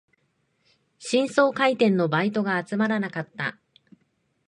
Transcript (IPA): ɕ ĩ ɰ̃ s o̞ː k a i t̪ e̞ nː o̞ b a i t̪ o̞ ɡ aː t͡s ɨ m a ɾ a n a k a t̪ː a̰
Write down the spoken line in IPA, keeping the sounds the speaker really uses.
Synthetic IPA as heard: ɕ ĩ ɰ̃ s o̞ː k a i t̪ ẽ̞ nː o̞ b a i t̪ o̞ ɡ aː t͡s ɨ m a ɾ a n a k a t̪ː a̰